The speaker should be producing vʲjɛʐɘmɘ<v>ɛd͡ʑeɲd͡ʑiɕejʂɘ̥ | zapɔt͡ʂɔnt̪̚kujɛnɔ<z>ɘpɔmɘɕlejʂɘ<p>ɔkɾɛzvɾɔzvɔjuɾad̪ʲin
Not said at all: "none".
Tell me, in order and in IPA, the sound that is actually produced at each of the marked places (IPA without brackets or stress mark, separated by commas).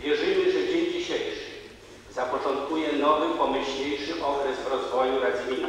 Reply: ʐ, v, ʔ